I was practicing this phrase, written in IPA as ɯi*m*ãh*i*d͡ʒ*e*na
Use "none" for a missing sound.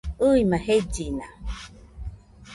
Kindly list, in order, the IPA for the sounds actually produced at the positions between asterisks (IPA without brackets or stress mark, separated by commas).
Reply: m, e, i